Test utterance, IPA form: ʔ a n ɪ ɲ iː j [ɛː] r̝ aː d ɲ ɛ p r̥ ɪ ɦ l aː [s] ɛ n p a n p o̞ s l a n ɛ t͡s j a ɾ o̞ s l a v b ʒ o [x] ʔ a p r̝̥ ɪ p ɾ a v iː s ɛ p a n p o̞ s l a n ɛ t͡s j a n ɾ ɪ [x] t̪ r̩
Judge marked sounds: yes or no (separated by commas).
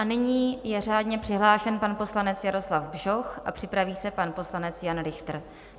no, no, yes, yes